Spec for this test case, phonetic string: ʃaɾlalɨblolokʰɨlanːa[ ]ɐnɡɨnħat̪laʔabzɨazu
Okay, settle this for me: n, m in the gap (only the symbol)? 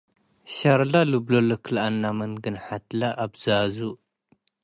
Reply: m